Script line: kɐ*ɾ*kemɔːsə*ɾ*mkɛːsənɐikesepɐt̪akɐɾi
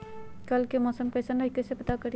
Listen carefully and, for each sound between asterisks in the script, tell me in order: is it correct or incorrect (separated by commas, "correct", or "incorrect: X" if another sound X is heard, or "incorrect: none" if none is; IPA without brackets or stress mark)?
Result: incorrect: l, incorrect: none